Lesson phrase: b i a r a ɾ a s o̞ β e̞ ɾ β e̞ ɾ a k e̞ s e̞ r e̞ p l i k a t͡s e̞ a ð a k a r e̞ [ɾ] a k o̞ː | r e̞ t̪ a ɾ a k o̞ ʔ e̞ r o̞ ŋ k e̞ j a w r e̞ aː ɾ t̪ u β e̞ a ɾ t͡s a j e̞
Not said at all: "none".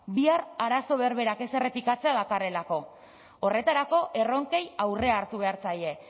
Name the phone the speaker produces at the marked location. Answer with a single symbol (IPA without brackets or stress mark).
l